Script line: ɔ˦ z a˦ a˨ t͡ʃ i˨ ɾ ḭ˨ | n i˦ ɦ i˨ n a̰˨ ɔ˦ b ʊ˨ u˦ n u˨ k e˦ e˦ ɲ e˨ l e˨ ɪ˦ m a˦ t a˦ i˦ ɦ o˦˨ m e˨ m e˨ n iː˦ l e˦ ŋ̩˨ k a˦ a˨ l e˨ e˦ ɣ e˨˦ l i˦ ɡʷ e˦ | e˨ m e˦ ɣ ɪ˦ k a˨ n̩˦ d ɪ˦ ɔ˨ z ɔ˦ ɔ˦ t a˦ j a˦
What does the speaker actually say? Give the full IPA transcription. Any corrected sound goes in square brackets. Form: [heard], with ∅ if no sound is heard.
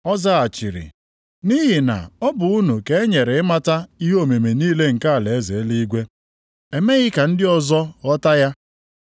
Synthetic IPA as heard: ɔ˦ z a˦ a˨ t͡ʃ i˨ ɾ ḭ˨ | n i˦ ɦ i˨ n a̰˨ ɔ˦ b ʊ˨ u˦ n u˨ k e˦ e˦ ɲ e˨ [ɾ] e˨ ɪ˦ m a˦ t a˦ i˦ ɦ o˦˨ m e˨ m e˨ n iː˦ l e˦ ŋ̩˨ k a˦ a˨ l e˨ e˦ [z] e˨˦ l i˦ ɡʷ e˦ | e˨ m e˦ ɣ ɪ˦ k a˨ n̩˦ d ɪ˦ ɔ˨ z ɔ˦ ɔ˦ t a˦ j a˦